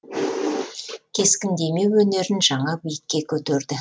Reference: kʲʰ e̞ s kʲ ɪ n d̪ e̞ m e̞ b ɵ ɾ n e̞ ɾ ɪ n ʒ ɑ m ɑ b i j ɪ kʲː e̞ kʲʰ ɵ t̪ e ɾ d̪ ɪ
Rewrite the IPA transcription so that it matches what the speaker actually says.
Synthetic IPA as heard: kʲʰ e̞ s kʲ ɪ n d̪ e̞ m e̞ w ɵ n e̞ ɾ ɪ n ʒ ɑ ɴ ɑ b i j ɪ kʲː e̞ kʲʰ ɵ t̪ e ɾ d̪ ɪ